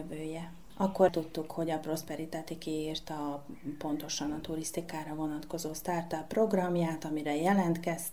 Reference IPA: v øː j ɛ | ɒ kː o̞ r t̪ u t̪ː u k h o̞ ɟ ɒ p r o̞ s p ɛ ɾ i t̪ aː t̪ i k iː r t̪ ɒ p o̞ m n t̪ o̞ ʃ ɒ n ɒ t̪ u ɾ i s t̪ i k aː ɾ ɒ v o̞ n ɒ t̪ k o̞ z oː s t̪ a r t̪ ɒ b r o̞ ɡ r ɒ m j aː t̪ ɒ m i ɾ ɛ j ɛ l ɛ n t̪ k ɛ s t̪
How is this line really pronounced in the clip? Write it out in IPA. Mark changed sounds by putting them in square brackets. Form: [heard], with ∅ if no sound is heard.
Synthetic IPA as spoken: v øː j ɛ | ɒ kː o̞ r t̪ u t̪ː u k h o̞ ɟ ɒ p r o̞ s p ɛ ɾ i t̪ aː t̪ i k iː r t̪ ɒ p o̞ [∅] n t̪ o̞ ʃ ɒ n ɒ t̪ u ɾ i s t̪ i k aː ɾ ɒ v o̞ n ɒ t̪ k o̞ z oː s t̪ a r t̪ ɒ [p] r o̞ ɡ r ɒ m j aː t̪ ɒ m i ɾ ɛ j ɛ l ɛ n t̪ k ɛ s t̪